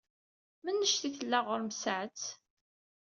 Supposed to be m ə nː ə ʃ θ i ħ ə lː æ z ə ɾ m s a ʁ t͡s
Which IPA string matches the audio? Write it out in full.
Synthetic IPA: m ə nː ə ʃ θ i θ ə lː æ ʁ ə ɾ m s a ʕ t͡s